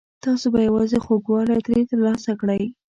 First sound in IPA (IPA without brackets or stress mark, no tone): t̪